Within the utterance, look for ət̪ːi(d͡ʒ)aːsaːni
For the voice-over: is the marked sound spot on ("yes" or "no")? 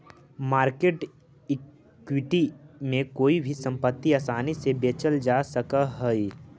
no